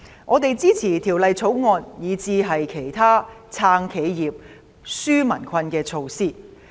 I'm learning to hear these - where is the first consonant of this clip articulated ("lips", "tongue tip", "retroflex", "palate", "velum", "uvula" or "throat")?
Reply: velum